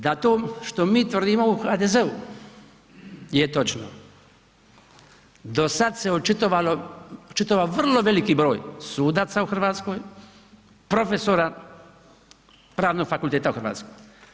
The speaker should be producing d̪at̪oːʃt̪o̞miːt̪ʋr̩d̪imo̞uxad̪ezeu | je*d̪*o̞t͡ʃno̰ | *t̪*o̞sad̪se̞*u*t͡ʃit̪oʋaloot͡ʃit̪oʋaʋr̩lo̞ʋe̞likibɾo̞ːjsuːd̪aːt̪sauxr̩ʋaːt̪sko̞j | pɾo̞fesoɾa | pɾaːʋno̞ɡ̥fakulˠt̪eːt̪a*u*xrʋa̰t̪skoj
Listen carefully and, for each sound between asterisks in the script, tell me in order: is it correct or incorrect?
incorrect: t̪, incorrect: d̪, incorrect: o, correct

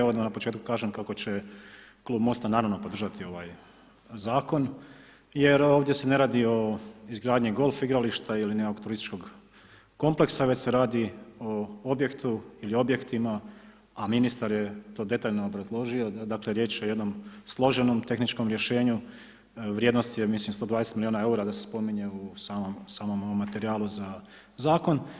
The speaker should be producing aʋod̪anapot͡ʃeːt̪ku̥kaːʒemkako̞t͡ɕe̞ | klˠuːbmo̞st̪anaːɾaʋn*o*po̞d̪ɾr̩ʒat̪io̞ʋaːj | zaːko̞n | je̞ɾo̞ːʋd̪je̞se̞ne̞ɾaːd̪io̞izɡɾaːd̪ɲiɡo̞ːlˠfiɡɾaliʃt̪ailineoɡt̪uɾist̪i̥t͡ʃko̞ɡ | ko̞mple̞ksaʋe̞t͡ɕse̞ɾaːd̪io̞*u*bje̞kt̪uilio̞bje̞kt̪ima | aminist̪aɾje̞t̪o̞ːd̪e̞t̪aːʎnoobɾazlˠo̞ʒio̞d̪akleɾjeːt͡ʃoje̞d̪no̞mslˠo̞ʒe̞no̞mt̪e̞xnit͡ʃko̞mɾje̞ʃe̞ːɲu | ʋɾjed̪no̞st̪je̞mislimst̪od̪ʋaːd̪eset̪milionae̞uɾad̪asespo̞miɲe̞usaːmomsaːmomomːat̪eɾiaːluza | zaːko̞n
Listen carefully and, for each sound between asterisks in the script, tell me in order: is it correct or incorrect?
correct, incorrect: o

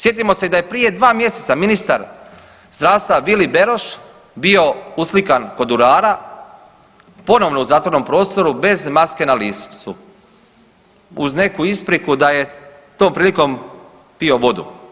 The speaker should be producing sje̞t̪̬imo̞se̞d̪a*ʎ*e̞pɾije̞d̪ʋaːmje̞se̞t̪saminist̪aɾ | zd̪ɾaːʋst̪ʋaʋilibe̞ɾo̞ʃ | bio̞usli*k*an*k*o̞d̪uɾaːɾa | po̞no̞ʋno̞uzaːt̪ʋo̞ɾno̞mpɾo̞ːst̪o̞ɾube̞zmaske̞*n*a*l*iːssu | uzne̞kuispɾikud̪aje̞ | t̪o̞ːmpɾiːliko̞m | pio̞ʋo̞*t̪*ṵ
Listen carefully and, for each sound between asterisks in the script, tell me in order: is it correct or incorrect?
incorrect: j, correct, correct, correct, correct, incorrect: d̪

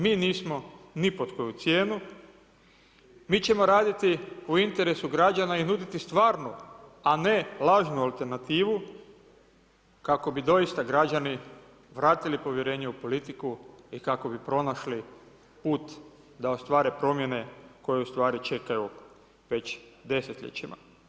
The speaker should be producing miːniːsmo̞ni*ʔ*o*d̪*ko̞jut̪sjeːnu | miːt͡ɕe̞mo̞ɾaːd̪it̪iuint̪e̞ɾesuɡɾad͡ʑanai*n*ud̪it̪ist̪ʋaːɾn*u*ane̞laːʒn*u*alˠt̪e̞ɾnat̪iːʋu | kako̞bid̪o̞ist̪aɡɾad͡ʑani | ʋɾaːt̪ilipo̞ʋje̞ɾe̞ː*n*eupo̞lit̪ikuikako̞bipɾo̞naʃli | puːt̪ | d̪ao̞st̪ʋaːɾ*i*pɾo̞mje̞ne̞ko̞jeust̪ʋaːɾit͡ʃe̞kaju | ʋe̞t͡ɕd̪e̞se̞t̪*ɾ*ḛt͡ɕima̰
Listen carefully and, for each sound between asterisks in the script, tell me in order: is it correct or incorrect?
incorrect: p, incorrect: t̪, correct, correct, correct, incorrect: ɲ, incorrect: e, incorrect: ʎ

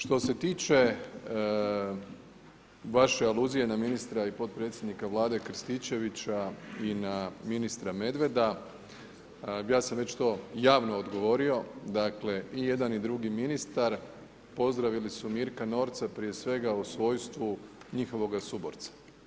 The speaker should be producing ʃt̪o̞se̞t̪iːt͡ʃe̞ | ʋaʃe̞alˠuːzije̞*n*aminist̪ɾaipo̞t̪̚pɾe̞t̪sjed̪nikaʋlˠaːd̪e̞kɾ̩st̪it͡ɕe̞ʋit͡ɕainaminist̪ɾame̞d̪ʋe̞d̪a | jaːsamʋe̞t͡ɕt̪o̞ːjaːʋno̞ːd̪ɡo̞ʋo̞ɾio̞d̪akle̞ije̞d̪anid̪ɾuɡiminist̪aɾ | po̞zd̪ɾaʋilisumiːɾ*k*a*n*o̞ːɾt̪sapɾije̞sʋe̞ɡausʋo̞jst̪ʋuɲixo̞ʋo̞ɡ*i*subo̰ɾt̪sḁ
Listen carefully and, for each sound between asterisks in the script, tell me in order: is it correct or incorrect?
correct, correct, correct, incorrect: a

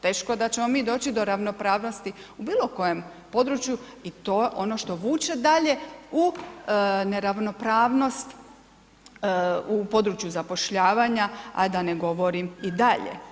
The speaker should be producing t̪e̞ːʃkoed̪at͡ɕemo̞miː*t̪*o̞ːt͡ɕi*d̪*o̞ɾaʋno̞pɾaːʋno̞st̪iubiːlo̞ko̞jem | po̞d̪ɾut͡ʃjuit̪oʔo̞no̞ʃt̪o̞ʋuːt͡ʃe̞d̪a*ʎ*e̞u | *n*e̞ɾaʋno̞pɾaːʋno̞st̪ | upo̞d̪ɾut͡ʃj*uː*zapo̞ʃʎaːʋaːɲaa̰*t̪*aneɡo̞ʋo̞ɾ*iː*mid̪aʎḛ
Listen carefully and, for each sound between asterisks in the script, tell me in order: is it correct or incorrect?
incorrect: d̪, correct, correct, correct, incorrect: u, incorrect: d̪, incorrect: i

